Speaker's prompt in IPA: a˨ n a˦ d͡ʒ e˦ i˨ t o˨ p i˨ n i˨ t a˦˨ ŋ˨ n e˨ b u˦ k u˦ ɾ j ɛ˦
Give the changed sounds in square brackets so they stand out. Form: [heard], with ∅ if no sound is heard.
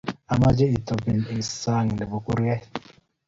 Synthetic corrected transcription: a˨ [m] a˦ d͡ʒ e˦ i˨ t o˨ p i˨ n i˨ [s] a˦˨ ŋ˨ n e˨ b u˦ k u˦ ɾ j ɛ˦